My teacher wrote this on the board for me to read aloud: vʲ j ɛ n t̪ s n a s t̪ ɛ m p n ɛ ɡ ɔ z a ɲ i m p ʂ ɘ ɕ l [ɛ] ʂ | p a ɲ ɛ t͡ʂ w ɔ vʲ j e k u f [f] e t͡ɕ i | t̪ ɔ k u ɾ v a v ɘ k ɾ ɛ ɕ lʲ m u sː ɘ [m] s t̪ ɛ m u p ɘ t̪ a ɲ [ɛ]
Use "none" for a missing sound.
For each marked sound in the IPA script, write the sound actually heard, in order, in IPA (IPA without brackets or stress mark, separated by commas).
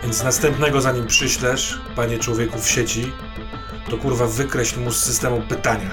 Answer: ɛ, ɕ, none, a